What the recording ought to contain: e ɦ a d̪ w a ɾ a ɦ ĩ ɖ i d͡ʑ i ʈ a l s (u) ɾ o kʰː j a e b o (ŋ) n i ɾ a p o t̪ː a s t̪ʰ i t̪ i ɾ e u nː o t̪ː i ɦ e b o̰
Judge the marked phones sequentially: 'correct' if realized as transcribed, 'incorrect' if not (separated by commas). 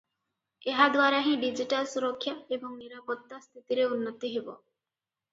correct, correct